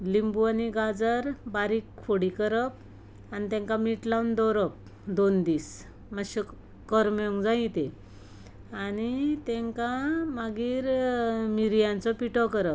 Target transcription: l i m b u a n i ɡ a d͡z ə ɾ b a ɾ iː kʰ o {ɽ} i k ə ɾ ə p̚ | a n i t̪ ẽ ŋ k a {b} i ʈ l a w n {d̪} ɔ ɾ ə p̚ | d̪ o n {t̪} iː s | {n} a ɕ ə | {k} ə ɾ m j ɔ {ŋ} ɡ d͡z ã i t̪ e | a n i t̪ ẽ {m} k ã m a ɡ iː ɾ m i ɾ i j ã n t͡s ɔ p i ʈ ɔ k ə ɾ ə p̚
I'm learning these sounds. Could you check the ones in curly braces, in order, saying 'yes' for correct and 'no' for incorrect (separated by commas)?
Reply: yes, no, yes, no, no, yes, yes, no